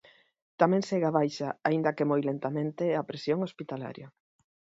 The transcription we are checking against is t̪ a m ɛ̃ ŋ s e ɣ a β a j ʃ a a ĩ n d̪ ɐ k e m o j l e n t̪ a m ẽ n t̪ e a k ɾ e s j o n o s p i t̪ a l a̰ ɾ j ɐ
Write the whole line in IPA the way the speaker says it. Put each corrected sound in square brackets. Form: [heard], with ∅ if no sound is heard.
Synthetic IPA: t̪ a m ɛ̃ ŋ s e ɣ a β a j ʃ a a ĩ n d̪ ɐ k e m o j l e n t̪ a m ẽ n t̪ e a [p] ɾ e s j o [ŋ] o s p i t̪ a l a̰ ɾ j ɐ